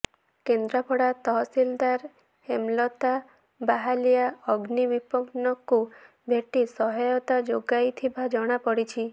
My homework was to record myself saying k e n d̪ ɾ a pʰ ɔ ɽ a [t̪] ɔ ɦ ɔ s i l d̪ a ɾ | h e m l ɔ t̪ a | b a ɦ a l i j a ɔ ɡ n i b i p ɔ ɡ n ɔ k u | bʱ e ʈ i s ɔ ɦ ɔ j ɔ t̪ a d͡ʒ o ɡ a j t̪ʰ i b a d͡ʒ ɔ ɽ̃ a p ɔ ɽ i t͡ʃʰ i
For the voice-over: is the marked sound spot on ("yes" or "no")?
yes